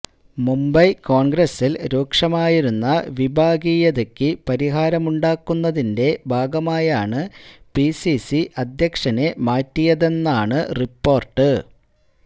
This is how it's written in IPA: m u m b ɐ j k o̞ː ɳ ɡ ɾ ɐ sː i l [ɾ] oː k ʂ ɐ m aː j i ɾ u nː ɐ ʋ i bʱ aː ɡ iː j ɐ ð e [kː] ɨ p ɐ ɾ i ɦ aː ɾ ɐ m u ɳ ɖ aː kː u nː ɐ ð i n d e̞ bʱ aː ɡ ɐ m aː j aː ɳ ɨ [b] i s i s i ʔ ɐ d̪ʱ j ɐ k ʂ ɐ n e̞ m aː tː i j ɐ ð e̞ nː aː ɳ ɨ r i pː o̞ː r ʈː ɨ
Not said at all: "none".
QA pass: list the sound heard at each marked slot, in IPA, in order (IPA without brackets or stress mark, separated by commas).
ɾ, kː, p